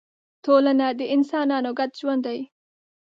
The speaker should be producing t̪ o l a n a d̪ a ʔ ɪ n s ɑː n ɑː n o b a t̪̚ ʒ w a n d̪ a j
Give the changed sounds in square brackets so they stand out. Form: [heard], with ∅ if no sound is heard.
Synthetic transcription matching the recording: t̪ o l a n a d̪ [ə] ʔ ɪ n s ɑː n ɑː n o [ɡ] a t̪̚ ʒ w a n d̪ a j